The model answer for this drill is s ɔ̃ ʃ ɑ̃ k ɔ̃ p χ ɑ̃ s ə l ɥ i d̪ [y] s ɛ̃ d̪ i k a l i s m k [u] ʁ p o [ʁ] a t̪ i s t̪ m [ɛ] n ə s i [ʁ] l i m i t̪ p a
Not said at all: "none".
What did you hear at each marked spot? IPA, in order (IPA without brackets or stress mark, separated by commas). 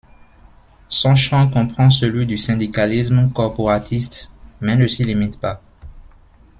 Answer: y, ɔ, ʁ, ɛ, none